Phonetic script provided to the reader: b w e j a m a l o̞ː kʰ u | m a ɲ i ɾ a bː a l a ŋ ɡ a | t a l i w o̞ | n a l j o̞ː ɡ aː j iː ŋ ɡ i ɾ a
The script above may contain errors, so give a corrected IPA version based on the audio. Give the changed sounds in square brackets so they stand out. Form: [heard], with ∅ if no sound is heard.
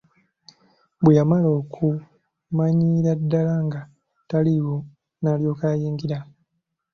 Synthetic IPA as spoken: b w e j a m a l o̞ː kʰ u | m a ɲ i ɾ a [dː] a l a ŋ ɡ a | t a l i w o̞ | n a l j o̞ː [k] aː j iː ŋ ɡ i ɾ a